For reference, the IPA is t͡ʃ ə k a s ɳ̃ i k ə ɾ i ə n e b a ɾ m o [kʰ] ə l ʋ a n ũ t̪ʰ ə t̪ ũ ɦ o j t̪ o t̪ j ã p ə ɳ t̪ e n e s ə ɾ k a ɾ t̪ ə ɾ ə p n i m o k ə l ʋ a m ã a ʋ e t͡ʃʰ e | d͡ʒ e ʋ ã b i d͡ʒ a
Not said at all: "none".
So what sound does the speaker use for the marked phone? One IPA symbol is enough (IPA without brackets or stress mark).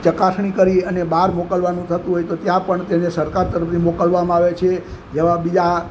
k